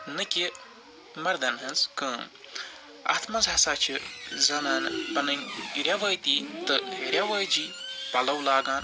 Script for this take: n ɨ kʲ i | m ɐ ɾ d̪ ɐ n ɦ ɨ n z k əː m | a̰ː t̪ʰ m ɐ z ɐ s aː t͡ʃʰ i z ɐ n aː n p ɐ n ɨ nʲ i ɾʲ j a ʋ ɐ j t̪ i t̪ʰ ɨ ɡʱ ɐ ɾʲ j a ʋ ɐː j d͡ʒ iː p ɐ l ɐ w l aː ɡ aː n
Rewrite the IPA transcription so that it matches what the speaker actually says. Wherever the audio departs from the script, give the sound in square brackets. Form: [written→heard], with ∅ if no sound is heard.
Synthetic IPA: n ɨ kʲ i | m ɐ ɾ d̪ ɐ n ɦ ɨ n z k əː m | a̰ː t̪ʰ m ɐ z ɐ s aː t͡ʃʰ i z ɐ n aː n p ɐ n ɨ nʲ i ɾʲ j a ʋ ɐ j t̪ i [t̪ʰ→t̪] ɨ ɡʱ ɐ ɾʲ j a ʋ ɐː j d͡ʒ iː p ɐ l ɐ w l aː ɡ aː n